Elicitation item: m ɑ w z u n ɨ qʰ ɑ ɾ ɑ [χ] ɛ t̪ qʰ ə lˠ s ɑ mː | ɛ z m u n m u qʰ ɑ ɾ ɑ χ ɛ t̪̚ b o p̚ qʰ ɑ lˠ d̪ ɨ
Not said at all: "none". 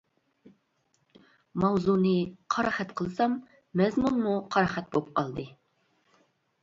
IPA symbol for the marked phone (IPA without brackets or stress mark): χ